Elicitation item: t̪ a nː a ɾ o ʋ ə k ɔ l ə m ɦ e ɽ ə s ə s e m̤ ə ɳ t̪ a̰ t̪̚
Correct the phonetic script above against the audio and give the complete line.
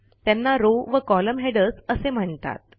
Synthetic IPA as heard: t̪ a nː a ɾ o ʋ ə k ɔ l ə m ɦ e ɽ ə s ə s e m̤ ə ɳ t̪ a̰ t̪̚